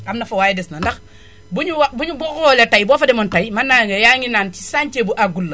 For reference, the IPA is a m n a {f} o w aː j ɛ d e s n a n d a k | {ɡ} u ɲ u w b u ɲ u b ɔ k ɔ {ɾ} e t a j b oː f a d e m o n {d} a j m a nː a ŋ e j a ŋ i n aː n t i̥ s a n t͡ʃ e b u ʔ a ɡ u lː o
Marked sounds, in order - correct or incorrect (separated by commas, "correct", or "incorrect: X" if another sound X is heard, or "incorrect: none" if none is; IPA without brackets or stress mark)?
correct, incorrect: b, incorrect: l, incorrect: t